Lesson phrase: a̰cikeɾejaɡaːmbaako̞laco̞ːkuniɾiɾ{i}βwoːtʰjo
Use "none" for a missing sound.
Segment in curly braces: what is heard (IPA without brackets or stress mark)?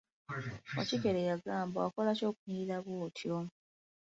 a